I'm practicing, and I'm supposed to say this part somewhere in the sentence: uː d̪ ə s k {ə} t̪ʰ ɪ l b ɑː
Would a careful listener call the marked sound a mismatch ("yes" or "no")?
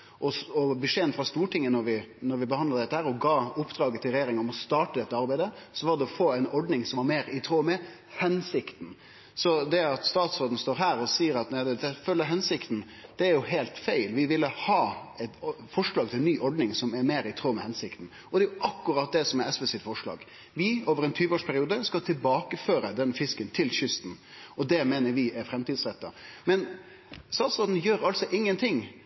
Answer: yes